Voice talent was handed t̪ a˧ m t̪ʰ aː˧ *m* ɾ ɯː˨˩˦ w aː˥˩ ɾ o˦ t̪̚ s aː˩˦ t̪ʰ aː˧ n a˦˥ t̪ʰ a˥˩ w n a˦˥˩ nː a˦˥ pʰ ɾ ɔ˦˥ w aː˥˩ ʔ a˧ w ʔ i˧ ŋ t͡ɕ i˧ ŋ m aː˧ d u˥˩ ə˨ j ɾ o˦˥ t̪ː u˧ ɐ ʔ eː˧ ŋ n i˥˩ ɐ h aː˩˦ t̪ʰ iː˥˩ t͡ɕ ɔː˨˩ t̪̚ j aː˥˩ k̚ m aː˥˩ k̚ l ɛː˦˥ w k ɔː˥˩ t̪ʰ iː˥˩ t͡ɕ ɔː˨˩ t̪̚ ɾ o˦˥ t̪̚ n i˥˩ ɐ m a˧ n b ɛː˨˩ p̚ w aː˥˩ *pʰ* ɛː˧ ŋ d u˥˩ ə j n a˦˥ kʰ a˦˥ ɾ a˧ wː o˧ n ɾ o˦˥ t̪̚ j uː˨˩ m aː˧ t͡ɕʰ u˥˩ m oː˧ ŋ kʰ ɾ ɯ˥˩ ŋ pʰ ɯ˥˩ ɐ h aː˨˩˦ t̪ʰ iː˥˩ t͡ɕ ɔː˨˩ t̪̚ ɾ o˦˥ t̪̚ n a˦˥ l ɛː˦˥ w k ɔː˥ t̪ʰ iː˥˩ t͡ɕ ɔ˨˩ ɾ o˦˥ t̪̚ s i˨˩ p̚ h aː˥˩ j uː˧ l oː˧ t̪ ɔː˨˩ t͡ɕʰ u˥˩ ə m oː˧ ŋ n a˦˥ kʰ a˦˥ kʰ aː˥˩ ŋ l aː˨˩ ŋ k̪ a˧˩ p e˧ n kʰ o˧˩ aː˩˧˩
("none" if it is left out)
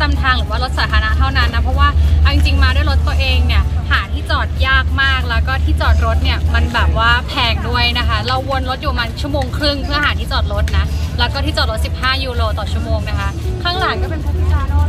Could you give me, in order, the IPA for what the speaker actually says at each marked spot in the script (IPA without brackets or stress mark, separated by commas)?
ŋ, pʰ